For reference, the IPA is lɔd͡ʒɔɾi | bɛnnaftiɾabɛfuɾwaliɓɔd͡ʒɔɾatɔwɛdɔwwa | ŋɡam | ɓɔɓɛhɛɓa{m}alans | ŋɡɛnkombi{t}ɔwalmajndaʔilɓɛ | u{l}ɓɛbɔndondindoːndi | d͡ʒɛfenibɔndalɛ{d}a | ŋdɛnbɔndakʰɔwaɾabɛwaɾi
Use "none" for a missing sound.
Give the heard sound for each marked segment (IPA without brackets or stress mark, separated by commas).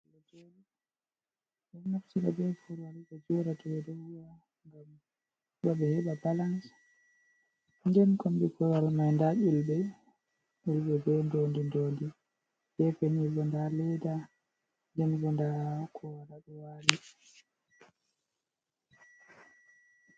b, k, l, d